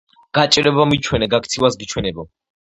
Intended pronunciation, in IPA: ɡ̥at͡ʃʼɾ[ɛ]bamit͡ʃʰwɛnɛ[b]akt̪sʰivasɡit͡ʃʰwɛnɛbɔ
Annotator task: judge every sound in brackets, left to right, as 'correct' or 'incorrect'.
correct, incorrect: ɡ

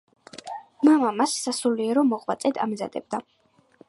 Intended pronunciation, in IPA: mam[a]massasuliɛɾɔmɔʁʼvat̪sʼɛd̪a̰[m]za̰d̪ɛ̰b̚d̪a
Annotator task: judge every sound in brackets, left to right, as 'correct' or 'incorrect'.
correct, correct

